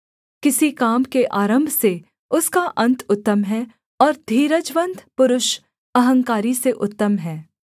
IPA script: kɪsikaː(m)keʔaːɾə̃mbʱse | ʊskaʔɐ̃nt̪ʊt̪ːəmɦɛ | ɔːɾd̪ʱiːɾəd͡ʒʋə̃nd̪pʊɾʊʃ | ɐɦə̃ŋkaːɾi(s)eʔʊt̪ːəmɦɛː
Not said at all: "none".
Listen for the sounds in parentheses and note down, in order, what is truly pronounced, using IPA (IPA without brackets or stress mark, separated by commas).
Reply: m, s